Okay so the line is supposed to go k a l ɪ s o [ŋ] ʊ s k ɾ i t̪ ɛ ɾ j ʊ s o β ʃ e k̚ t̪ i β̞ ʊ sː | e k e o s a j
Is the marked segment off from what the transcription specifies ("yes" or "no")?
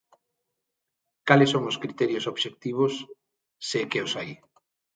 no